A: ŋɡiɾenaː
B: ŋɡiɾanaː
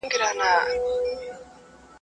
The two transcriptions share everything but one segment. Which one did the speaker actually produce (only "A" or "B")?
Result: B